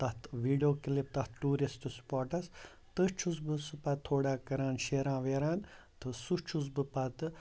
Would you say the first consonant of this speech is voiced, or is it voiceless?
voiceless